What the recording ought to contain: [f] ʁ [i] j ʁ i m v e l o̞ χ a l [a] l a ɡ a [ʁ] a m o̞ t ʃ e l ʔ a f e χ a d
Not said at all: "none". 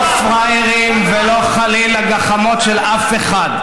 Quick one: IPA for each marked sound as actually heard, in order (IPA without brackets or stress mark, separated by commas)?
f, a, i, χ